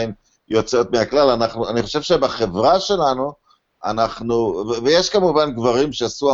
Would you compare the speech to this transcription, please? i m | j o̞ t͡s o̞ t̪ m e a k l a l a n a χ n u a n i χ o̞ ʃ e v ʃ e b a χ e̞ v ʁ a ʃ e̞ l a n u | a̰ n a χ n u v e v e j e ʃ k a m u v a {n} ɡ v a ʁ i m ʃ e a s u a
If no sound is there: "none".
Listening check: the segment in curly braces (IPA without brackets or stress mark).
n